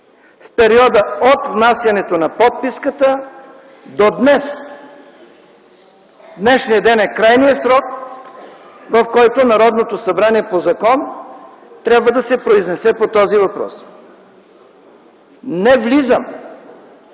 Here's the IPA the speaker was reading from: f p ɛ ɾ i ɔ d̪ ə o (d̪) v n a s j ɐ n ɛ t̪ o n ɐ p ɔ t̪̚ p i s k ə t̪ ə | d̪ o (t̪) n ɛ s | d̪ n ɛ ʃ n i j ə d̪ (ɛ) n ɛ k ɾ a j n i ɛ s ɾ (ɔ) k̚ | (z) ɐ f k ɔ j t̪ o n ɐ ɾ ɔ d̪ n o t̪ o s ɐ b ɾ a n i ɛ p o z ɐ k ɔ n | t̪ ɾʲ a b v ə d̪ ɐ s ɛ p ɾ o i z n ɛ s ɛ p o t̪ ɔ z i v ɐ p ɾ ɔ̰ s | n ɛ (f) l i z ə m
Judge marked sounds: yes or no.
no, no, yes, yes, no, no

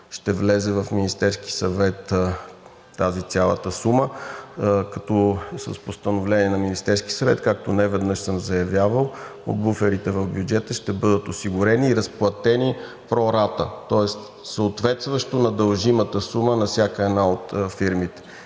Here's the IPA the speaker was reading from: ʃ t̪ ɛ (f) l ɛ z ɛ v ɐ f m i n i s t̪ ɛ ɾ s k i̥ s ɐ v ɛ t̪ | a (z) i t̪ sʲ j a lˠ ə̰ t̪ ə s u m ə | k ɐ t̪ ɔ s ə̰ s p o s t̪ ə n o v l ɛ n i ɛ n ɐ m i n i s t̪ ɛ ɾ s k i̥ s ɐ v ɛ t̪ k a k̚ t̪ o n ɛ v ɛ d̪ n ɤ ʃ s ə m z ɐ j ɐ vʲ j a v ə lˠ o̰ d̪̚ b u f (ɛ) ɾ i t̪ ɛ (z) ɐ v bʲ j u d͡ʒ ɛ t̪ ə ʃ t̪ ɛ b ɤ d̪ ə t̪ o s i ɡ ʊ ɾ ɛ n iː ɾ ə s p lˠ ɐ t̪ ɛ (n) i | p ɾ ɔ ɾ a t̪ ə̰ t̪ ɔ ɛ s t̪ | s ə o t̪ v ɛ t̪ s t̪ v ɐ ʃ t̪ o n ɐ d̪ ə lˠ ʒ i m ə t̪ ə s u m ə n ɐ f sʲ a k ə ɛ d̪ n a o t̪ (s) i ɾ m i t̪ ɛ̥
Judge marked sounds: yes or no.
no, yes, yes, no, yes, no

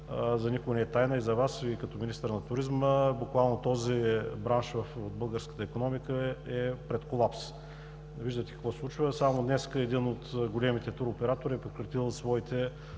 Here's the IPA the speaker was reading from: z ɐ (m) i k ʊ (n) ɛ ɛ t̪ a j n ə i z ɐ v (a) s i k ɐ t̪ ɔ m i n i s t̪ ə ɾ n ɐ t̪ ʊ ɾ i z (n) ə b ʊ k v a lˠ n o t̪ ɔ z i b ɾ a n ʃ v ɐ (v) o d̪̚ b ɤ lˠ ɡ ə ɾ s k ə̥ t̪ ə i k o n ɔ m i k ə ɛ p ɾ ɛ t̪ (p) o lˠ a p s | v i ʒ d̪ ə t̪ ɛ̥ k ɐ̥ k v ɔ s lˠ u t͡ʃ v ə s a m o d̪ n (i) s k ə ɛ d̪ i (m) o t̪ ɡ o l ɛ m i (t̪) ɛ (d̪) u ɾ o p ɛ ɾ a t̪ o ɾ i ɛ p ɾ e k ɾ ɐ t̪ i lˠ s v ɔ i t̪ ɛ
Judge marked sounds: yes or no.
no, yes, yes, no, no, no, no, no, yes, no

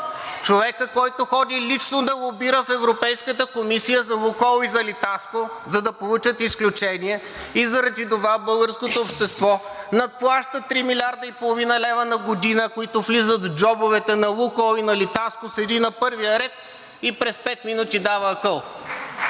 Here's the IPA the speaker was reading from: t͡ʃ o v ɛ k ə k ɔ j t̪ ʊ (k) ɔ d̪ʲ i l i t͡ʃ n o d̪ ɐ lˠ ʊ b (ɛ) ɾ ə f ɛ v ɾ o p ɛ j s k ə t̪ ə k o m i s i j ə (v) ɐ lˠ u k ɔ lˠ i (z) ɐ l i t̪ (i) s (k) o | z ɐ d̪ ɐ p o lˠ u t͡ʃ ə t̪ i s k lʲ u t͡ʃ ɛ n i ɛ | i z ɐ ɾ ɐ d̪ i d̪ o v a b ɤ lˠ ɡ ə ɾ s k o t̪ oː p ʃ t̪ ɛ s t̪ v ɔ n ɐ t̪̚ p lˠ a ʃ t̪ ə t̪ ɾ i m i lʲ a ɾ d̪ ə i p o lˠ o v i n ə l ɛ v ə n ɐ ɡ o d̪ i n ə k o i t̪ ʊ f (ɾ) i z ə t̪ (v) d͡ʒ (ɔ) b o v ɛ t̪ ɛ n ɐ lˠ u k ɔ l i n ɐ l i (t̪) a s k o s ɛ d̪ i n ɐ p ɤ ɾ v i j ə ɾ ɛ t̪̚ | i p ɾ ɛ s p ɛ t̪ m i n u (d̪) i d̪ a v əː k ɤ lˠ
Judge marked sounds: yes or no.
no, no, no, yes, no, yes, no, yes, yes, yes, no

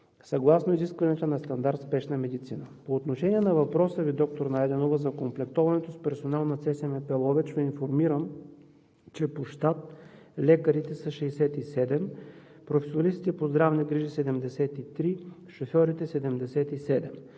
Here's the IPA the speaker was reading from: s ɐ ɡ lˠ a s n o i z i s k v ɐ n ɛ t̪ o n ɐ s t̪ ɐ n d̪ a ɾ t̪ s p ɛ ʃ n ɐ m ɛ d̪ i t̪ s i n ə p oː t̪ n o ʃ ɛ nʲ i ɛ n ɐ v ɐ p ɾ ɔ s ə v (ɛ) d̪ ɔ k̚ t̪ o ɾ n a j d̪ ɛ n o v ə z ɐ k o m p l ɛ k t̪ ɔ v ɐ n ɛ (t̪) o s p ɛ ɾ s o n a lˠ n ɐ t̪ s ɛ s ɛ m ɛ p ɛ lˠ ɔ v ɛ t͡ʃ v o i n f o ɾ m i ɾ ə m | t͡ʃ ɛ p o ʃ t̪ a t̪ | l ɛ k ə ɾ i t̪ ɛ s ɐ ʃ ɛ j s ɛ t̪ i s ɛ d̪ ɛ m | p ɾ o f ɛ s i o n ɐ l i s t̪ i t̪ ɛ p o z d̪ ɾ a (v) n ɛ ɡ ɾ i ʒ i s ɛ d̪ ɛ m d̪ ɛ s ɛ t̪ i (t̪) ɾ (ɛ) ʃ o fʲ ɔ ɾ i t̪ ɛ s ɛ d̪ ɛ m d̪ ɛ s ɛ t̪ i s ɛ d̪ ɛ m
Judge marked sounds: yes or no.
no, yes, yes, yes, no

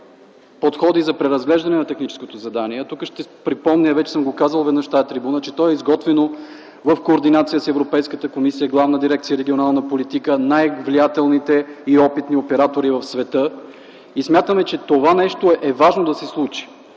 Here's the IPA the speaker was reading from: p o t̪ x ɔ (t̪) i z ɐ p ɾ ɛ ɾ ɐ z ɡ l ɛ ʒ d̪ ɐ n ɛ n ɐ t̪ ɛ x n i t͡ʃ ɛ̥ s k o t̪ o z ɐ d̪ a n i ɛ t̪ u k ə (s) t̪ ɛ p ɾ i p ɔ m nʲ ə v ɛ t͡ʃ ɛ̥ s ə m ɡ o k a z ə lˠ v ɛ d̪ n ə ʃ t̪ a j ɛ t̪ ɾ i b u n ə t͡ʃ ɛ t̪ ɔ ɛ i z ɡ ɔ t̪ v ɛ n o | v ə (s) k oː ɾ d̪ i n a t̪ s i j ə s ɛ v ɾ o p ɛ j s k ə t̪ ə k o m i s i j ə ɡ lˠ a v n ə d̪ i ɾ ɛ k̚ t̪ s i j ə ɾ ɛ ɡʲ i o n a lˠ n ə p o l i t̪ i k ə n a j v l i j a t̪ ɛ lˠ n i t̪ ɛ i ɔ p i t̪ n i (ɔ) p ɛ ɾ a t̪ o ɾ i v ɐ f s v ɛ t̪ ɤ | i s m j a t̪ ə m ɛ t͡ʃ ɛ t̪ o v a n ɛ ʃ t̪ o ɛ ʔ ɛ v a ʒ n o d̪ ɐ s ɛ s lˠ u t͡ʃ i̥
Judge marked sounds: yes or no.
no, no, no, no

